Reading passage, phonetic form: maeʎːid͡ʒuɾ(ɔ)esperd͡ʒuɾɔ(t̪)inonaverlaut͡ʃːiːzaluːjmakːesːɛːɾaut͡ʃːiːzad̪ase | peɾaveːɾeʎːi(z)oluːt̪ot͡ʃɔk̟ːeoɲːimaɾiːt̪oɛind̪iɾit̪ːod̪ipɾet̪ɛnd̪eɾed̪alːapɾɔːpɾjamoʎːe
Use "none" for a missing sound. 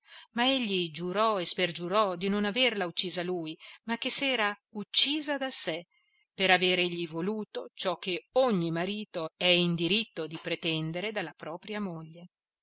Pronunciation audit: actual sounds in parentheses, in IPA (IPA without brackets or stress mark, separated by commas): ɔ, d̪, v